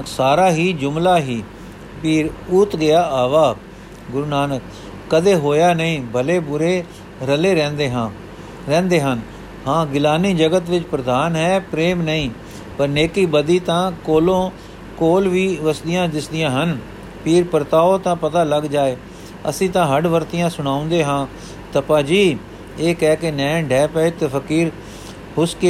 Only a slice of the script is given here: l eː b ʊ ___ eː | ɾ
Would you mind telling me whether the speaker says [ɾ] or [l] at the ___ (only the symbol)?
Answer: ɾ